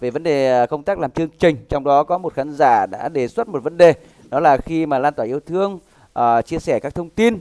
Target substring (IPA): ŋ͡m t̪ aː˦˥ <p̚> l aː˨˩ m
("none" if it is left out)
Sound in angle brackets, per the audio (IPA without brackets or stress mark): k̚